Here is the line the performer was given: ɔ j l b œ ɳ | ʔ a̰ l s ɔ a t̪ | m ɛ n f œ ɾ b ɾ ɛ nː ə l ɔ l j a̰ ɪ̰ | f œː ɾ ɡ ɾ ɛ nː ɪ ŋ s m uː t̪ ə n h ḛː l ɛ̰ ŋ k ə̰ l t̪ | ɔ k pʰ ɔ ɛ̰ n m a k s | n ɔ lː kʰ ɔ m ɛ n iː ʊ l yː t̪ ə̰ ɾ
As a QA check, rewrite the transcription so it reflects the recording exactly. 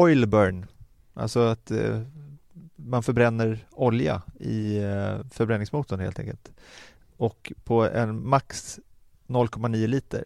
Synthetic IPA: ɔ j l b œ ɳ | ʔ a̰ l s ɔ a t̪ | m a n f œ ɾ b ɾ ɛ nː ə ɾ ɔ l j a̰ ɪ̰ | f œ ɾ b ɾ ɛ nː ɪ ŋ s m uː t̪ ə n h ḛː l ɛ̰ ŋ k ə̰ l t̪ | ɔ k pʰ ɔ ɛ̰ n m a k s | n ɔ lː kʰ ɔ m a n iː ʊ l iː t̪ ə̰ ɾ